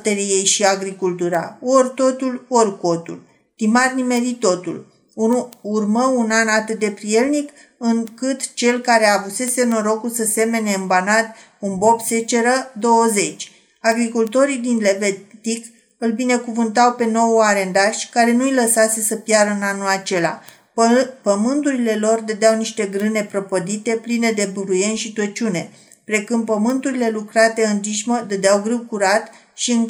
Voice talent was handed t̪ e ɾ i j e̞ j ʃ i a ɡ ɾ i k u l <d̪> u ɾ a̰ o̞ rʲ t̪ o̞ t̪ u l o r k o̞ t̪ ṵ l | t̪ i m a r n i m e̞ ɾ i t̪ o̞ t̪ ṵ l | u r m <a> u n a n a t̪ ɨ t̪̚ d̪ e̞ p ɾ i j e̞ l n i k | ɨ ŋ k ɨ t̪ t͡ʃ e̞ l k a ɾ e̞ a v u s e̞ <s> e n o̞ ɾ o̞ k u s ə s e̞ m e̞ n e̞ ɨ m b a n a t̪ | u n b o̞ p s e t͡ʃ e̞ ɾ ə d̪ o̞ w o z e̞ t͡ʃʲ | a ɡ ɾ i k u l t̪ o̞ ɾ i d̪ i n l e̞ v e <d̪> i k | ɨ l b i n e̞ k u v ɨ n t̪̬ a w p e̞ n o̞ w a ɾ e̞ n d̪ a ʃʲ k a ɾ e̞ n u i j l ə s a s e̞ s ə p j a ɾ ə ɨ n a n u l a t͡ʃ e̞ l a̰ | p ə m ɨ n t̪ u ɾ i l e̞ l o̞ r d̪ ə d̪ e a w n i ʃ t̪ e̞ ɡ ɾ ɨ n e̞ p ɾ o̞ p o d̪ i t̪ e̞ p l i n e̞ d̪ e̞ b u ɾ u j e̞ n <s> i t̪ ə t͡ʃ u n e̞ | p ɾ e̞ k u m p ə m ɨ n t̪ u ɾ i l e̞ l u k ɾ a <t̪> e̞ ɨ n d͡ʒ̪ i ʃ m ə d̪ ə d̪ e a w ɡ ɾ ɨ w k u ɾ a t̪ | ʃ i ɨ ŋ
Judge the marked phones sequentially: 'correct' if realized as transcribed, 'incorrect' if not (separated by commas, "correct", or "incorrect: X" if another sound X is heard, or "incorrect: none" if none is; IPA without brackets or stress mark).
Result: incorrect: t̪, incorrect: ə, correct, incorrect: t̪, incorrect: ʃ, correct